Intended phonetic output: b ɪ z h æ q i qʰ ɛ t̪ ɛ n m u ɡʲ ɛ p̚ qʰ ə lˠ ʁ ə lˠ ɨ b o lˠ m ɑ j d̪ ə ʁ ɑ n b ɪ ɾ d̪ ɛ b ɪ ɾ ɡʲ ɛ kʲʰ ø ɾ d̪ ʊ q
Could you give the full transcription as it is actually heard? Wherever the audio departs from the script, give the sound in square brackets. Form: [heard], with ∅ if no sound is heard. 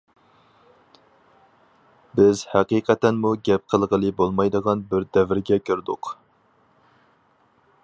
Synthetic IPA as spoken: b ɪ z h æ q i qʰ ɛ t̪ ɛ n m u ɡʲ ɛ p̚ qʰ ə lˠ ʁ ə lˠ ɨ b o lˠ m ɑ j d̪ ə ʁ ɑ n b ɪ ɾ d̪ ɛ [v] ɪ ɾ ɡʲ ɛ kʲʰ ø ɾ d̪ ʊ q